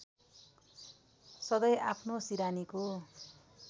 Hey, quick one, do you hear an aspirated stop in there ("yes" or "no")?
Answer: yes